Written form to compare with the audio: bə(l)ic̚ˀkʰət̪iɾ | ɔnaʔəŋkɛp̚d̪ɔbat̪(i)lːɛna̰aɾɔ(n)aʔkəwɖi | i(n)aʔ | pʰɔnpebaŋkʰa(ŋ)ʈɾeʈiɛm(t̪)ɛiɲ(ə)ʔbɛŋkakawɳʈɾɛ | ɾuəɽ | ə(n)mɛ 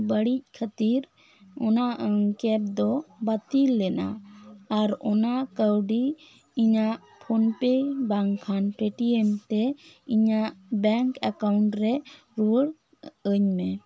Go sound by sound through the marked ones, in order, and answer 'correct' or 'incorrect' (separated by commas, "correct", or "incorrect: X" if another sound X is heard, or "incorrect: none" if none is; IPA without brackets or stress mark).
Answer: incorrect: ɽ, correct, correct, incorrect: ɲ, incorrect: n, correct, incorrect: a, incorrect: ɲ